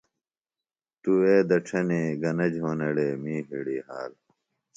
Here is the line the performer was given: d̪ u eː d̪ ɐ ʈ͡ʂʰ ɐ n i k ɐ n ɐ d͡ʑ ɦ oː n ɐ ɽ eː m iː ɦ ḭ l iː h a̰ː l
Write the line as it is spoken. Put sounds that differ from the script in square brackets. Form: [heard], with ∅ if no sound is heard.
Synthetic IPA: [t̪] u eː d̪ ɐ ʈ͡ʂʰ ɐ n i [ɡ] ɐ n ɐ d͡ʑ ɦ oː n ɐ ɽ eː m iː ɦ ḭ [ɽ] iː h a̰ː l